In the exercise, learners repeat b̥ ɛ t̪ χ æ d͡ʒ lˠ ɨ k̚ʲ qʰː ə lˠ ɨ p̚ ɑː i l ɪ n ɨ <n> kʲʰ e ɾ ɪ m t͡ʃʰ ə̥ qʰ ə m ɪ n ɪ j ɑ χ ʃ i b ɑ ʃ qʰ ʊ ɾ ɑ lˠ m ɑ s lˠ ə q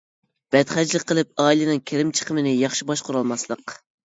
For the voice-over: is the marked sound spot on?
no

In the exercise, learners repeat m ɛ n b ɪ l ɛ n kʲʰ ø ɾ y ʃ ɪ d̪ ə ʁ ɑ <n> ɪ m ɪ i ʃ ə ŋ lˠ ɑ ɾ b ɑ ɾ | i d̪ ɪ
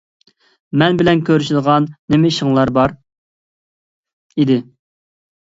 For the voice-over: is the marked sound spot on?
no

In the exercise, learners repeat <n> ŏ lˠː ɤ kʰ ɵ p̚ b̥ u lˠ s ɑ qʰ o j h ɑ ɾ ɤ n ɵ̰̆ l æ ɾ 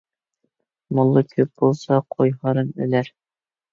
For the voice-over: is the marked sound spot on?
no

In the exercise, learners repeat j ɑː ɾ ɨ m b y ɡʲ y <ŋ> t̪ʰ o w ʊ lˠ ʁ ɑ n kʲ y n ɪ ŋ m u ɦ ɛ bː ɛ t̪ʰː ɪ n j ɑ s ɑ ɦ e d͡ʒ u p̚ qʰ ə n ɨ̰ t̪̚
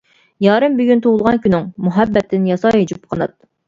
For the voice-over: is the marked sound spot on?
no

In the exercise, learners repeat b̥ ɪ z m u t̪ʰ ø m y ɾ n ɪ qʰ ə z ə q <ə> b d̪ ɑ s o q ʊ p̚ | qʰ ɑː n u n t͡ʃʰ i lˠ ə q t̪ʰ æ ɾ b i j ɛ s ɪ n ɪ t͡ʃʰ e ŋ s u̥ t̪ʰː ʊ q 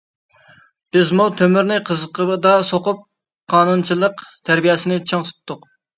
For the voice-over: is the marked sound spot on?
yes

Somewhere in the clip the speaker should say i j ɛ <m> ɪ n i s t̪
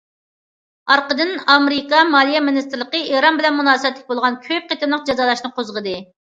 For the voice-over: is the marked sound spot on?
yes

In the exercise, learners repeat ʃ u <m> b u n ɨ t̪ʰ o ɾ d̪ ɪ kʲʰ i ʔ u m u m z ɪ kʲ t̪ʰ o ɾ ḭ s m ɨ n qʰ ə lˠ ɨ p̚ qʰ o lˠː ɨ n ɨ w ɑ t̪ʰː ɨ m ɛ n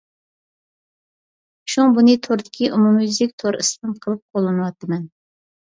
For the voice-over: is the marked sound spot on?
no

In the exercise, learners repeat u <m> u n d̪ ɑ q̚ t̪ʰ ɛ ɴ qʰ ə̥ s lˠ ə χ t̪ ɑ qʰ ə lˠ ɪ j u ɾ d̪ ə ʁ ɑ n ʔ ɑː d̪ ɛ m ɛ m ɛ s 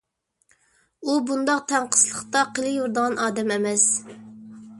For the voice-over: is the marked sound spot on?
no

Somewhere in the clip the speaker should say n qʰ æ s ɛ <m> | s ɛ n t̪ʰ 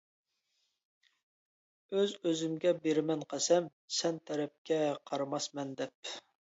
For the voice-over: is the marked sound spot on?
yes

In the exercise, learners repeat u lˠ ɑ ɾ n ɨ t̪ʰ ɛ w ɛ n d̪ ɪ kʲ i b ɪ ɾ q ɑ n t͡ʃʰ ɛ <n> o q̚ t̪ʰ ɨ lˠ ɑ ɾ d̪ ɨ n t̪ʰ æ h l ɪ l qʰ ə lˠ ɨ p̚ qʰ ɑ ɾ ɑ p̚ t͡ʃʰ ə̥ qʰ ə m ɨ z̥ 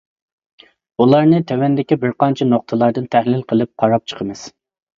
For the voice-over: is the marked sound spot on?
yes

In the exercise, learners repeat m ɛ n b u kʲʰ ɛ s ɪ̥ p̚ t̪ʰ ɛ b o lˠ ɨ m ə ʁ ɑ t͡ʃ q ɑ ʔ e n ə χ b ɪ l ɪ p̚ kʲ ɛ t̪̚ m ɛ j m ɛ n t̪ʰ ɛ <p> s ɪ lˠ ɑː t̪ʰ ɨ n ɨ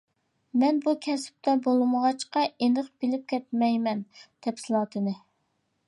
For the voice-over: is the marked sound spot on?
yes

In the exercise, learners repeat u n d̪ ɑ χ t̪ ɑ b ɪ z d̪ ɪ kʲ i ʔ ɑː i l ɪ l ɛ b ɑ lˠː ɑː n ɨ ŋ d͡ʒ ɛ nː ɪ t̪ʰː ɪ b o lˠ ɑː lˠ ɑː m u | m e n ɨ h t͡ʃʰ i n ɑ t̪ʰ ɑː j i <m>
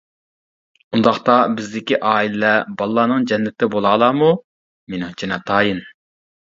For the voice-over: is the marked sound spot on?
no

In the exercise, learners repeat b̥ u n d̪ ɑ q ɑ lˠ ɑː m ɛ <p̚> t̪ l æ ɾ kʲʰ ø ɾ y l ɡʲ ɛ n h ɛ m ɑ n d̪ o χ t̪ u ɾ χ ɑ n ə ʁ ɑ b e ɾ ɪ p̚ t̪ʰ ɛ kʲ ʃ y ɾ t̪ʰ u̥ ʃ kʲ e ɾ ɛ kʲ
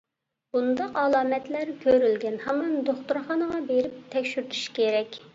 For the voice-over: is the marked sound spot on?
no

